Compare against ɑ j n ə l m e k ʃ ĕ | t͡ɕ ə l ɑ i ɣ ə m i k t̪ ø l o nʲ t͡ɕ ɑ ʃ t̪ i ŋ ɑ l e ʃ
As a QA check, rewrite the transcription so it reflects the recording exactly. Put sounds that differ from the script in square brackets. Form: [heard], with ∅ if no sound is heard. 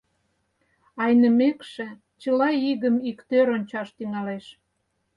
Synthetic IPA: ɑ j n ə [∅] m e k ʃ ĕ | t͡ɕ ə l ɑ i ɣ ə m i k t̪ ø [ɾ] o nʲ t͡ɕ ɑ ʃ t̪ [y] ŋ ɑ l e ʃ